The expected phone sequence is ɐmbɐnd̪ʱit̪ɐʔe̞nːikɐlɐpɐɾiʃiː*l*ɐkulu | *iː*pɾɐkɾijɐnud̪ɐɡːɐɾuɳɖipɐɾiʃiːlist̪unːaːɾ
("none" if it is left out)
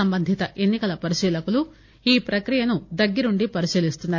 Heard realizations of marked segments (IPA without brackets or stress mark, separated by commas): l, iː